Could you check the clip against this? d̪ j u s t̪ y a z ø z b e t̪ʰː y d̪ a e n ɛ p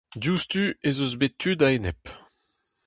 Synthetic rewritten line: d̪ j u s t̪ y e z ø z b e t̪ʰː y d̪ a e n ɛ p